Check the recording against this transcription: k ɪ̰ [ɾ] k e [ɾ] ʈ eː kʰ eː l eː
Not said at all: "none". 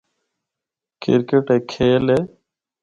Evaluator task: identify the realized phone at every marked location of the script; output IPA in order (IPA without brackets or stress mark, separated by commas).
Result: ɾ, none